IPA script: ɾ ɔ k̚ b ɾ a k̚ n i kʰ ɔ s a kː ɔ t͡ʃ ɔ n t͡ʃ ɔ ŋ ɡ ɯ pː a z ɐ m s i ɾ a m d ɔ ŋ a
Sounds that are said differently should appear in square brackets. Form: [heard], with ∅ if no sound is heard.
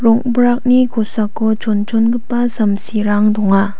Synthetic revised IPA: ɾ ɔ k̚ b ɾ a k̚ n i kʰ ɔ s a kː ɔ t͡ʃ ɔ n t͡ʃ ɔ [n] ɡ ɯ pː a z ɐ m s i ɾ a [ŋ] d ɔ ŋ a